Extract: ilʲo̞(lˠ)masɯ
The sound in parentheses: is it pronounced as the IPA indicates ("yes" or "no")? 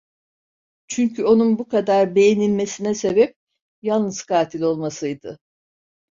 yes